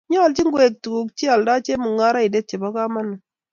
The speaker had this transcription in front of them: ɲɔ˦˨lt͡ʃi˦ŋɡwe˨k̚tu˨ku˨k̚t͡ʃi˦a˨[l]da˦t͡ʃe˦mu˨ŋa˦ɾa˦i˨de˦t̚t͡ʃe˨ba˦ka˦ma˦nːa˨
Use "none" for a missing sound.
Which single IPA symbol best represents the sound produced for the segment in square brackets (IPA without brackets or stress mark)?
l